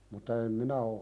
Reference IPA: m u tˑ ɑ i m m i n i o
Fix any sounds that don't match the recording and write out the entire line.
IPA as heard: m u tˑ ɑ e m m i n æ o

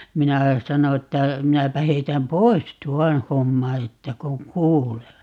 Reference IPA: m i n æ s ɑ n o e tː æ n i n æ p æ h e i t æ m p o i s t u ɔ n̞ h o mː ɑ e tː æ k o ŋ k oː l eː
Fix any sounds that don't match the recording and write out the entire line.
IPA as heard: m i n æ s ɑ n o e tː æ m i n æ p æ h e i t æ m p o i s t u ɔ n̞ h o mː ɑ e tː æ k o ŋ k uː l eː

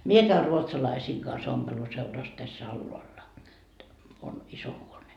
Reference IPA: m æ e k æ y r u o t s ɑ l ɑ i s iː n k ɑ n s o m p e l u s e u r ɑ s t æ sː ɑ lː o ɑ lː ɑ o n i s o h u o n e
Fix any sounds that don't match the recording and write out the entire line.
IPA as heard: m i e k æ y r u o t s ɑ l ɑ i s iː ŋ k ɑ n s o m p e l u s e u r ɑ s t æ sː ɑ lː o ɑ lː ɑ o n i s o h u o n e

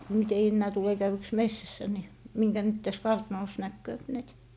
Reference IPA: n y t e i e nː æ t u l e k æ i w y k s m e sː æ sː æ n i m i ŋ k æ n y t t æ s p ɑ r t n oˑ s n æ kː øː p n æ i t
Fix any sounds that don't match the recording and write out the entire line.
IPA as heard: n y t e i e nː æː t u l e k æ y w y k s m e sː æ sː æ n i m i ŋ k æ n y t t æ s k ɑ r t n oˑ s n æ kː øː p n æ i t

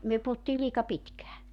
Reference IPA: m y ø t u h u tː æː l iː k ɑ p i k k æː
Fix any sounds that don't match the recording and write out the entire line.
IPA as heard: m y ø p u h u tː iː l iː k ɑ p i t k æː

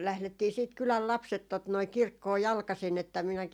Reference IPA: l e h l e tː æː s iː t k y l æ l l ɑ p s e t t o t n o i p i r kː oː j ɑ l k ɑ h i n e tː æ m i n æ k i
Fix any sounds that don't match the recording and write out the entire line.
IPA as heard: l æ h l e tː iː s iː t k y l æ l l ɑ p s e t t o t n o i k i r kː oː j ɑ l k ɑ s i n e tː æ m i n æ k i

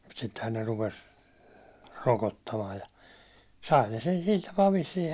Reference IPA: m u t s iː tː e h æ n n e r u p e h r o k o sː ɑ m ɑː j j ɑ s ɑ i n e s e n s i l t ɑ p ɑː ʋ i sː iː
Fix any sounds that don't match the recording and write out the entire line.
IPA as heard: m u t s i tː e h æ n n e r u p e s r o k o tː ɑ m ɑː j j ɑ s ɑ i n e s e n s i l t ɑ p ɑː ʋ i sː iː

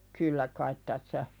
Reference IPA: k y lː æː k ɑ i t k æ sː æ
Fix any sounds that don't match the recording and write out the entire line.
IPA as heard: k y lː æ k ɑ i t t æ sː æ

